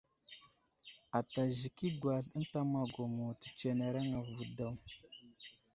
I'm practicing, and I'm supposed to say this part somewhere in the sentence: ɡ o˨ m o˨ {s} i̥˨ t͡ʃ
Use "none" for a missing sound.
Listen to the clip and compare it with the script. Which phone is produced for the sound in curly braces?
t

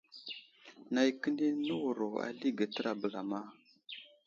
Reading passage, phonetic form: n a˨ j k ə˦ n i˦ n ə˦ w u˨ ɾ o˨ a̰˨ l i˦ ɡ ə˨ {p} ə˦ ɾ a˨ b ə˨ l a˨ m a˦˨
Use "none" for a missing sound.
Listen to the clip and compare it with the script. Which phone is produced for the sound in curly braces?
t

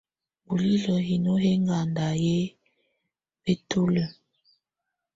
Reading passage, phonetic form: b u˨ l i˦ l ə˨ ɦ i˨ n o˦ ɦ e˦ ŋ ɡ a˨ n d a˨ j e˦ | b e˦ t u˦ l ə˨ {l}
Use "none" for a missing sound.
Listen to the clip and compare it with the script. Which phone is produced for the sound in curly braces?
none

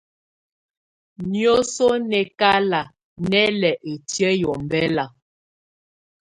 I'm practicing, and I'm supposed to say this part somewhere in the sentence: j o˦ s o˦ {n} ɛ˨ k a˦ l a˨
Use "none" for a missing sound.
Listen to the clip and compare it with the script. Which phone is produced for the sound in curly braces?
n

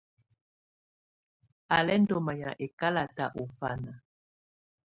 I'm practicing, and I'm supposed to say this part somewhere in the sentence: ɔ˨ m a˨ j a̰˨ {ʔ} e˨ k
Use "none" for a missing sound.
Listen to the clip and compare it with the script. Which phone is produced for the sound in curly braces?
ʔ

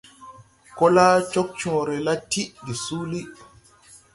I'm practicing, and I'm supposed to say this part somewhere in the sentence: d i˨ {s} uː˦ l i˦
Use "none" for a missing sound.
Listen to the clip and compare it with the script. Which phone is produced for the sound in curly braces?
s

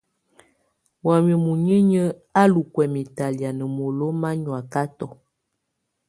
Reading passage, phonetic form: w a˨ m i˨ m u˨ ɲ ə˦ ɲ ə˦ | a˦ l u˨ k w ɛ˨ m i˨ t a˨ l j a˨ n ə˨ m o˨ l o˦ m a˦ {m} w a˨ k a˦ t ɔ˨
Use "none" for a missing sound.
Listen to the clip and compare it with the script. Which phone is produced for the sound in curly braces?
ɲ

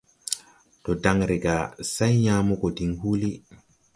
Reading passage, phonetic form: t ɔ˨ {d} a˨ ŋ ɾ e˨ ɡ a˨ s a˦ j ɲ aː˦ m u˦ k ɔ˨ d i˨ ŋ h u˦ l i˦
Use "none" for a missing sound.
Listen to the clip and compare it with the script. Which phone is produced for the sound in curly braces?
d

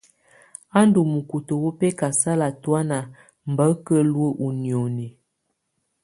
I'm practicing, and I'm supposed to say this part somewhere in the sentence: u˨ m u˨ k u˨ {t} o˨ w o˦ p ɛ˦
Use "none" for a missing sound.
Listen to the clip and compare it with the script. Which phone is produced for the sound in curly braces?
t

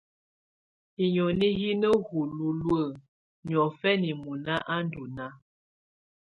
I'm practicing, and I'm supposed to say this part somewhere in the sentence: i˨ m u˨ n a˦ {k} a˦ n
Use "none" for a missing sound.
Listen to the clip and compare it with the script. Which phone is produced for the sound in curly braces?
ʔ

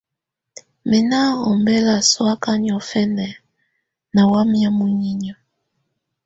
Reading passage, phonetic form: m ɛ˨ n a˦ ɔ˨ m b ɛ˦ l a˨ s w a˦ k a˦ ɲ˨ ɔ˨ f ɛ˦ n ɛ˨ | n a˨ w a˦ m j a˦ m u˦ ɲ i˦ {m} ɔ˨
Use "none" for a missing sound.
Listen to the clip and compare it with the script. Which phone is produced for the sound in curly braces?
ɲ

